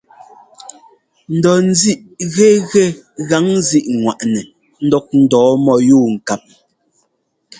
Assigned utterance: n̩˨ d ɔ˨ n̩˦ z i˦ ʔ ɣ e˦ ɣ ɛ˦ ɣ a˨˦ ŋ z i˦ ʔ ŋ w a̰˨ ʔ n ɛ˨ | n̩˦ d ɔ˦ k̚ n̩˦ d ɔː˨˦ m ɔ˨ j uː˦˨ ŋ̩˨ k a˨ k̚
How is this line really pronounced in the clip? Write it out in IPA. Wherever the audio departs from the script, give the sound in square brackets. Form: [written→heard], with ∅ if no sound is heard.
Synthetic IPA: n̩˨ d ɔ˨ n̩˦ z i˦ ʔ ɣ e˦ ɣ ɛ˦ ɣ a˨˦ ŋ z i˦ ʔ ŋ w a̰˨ ʔ n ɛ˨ | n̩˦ d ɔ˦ k̚ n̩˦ d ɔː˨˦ m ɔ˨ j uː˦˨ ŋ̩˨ k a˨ [k̚→p̚]